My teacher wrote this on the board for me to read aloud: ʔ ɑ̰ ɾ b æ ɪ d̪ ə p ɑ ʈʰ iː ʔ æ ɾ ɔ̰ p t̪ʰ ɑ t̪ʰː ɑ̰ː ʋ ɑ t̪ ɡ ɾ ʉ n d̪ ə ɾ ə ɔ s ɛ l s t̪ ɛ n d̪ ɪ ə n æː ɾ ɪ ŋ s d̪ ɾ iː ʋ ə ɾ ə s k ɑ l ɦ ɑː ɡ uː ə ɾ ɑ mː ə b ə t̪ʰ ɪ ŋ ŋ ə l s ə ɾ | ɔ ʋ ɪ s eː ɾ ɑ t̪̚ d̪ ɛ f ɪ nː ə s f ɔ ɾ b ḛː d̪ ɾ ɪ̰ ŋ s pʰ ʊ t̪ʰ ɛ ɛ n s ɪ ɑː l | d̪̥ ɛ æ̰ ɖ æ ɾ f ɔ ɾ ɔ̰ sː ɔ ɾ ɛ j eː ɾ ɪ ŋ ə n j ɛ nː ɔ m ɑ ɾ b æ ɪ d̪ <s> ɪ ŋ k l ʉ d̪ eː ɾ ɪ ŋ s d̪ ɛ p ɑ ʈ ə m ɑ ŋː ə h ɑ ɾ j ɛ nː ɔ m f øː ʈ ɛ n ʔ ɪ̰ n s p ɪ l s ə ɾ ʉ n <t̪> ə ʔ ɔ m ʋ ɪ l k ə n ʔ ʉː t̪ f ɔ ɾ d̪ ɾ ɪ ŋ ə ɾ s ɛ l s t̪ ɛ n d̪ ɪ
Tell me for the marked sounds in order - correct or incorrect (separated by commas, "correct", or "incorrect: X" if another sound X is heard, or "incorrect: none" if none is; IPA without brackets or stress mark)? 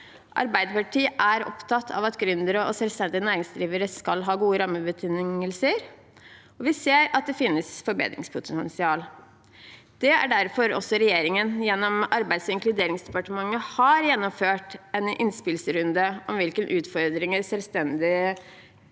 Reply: correct, incorrect: d̪